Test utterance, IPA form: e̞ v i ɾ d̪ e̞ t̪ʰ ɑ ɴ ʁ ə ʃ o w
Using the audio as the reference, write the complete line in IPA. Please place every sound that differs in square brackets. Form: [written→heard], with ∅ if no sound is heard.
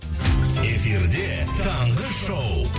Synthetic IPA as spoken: e̞ [v→f] i ɾ d̪ e̞ t̪ʰ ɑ ɴ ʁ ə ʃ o w

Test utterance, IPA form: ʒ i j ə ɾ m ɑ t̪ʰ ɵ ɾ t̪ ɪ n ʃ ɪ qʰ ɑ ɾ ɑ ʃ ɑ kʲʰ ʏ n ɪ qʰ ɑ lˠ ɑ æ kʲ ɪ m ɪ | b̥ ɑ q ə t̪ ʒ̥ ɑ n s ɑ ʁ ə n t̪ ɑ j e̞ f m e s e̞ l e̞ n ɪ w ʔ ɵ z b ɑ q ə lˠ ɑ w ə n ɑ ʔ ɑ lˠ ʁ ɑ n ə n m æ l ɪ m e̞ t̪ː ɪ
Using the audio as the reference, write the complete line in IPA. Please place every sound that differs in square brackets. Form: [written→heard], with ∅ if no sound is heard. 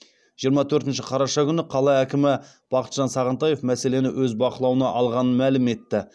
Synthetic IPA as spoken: ʒ i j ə ɾ m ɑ t̪ʰ ɵ ɾ t̪ ɪ n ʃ ɪ qʰ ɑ ɾ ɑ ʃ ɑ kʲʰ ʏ n ɪ qʰ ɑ lˠ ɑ æ kʲ ɪ m ɪ | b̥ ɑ q ə t̪ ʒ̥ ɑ n s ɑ ʁ ə n t̪ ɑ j e̞ f m [e→æ] s e̞ l e̞ n ɪ w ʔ ɵ z b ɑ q ə lˠ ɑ w ə n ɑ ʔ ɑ lˠ ʁ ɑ n ə n m æ l ɪ m e̞ t̪ː ɪ

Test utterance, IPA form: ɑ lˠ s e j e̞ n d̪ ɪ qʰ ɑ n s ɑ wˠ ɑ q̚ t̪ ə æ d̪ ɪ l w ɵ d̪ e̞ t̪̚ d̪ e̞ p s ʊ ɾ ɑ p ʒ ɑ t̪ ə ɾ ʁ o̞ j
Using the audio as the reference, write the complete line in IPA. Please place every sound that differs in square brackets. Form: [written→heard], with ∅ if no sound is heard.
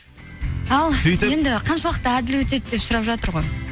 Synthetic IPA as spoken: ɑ lˠ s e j e̞ n d̪ ɪ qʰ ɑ n [s→ʃ] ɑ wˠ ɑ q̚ t̪ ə æ d̪ ɪ l w ɵ [d̪→t̪] e̞ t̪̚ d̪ e̞ p s ʊ ɾ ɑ p ʒ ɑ t̪ ə ɾ ʁ o̞ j

